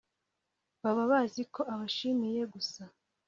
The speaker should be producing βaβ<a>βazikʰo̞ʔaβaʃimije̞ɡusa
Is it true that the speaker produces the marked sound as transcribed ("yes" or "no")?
yes